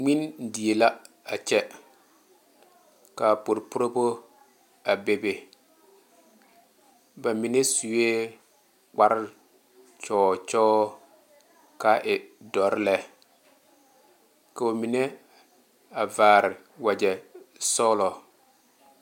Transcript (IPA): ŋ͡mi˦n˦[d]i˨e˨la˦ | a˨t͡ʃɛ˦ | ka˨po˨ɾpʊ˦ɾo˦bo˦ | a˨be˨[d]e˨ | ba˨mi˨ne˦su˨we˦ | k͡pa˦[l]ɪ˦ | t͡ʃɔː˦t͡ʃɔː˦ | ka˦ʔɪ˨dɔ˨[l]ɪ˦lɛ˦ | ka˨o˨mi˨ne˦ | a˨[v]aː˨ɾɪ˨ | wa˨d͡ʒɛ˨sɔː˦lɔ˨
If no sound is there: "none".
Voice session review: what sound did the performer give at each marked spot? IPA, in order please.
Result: d, b, ɾ, ɾ, v

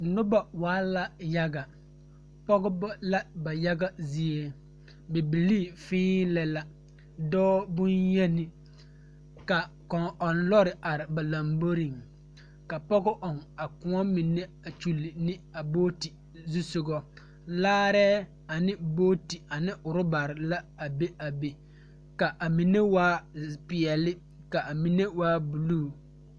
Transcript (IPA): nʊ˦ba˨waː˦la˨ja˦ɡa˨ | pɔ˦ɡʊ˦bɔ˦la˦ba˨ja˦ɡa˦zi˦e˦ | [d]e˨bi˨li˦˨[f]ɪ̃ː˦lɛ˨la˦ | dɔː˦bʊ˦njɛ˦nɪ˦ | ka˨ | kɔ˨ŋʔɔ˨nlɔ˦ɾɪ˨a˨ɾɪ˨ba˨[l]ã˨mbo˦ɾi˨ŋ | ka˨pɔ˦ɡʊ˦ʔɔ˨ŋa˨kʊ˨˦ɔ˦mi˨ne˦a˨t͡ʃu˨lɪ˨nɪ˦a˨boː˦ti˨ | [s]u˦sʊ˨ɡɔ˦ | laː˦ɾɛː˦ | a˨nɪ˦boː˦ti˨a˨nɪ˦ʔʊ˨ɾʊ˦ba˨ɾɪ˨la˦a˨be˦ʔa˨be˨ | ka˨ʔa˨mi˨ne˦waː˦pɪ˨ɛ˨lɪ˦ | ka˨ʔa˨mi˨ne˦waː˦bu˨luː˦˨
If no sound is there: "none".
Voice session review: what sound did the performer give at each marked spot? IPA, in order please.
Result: b, f, l, z

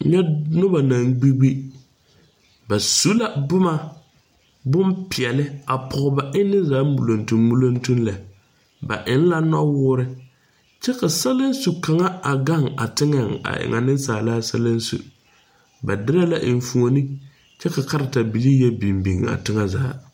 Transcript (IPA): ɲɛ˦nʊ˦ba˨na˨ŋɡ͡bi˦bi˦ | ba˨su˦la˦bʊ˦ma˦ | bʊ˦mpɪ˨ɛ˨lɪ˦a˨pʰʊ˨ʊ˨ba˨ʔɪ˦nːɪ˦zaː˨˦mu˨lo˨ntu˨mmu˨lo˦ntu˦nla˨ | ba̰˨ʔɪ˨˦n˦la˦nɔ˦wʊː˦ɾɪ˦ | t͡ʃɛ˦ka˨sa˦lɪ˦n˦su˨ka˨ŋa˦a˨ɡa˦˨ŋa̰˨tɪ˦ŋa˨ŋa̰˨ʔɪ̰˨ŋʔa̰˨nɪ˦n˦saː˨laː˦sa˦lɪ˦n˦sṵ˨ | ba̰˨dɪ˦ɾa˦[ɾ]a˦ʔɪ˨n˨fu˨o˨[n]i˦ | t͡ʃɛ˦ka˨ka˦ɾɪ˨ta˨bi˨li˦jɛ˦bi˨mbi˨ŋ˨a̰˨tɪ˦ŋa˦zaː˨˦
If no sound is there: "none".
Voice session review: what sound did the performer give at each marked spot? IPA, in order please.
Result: l, n

